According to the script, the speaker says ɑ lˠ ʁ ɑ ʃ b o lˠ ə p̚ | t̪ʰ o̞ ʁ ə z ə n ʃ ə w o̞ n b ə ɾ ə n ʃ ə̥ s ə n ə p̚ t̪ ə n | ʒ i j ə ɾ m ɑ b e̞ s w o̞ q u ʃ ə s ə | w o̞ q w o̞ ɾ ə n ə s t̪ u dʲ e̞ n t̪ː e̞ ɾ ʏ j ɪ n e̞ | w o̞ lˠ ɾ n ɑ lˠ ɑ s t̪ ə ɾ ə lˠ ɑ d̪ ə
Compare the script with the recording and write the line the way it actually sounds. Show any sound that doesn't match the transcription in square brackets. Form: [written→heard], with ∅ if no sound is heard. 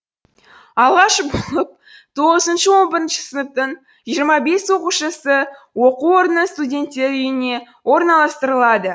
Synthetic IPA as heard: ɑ lˠ ʁ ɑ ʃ b o lˠ ə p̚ | t̪ʰ o̞ ʁ ə z ə n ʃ ə w o̞ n b ə ɾ ə n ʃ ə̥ s ə n ə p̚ t̪ ə [n→ɴ] | ʒ i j ə ɾ m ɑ b e̞ s w o̞ q u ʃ ə s ə | w o̞ q [w→u] o̞ ɾ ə n ə s t̪ u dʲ e̞ n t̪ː e̞ ɾ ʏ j ɪ n e̞ | w o̞ [lˠ→∅] ɾ n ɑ lˠ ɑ s t̪ ə ɾ ə lˠ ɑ d̪ ə